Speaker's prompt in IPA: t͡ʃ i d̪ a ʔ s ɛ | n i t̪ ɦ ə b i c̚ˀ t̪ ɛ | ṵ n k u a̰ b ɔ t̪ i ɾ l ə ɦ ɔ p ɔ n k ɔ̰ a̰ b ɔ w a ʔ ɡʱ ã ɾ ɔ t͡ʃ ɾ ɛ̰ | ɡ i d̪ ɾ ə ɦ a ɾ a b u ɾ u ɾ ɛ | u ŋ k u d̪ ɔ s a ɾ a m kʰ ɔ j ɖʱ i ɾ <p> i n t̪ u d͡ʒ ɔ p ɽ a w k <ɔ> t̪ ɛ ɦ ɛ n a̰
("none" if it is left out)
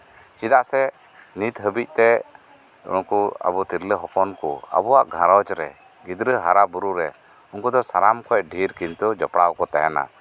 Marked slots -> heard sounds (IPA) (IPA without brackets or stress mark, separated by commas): k, ɔ